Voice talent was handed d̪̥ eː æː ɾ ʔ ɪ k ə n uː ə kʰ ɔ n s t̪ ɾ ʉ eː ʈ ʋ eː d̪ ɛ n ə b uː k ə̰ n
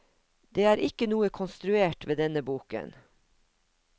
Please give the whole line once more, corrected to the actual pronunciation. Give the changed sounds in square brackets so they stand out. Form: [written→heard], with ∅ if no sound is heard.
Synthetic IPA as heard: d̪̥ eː æː ɾ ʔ ɪ k ə n uː ə kʰ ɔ n s t̪ ɾ ʉ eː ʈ ʋ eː d̪ ɛ n ə b uː k ə̰ n